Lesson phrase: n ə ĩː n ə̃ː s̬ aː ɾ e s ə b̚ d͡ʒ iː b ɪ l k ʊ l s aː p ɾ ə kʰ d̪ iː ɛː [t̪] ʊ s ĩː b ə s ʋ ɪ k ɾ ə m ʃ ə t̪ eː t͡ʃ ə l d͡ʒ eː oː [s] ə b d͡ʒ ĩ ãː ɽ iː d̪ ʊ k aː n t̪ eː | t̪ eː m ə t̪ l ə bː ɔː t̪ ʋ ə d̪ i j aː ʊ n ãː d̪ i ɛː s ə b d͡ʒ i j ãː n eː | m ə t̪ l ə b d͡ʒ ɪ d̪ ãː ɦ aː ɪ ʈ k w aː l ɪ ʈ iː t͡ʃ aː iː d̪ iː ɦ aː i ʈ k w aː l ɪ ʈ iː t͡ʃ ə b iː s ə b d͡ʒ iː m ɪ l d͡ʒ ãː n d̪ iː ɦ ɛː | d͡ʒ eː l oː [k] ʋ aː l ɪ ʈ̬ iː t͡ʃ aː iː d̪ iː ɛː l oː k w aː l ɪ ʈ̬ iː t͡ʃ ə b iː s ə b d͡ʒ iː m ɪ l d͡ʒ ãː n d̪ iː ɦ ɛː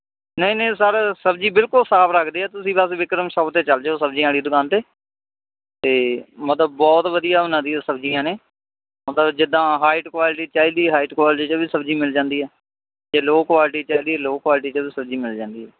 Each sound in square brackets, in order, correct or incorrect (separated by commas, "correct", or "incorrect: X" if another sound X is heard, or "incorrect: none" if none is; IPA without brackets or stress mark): correct, correct, correct